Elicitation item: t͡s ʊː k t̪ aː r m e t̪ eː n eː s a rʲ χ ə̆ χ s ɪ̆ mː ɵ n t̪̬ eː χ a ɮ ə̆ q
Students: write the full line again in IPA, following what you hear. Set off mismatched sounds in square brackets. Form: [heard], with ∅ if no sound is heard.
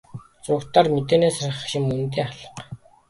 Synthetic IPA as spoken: t͡s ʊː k t̪ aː r m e t̪ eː n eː s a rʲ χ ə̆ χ [ʃ] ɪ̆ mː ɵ n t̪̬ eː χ a ɮ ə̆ q